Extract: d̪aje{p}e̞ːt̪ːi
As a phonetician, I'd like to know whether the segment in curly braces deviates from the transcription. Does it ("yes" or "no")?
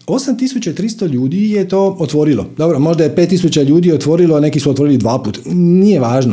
no